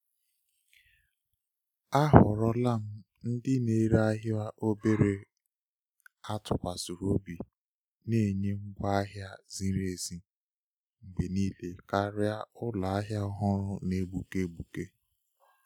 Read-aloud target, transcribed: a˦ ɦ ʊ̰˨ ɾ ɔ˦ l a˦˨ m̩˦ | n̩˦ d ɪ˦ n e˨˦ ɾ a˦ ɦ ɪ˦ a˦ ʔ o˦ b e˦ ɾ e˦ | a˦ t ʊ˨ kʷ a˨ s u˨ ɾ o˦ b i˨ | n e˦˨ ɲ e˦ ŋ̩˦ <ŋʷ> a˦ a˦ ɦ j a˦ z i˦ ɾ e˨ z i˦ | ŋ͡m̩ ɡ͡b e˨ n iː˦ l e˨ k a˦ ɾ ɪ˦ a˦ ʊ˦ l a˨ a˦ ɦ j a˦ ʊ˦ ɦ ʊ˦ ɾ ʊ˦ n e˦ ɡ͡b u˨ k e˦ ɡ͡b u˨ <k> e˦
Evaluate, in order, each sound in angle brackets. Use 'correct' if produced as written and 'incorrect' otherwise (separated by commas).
incorrect, correct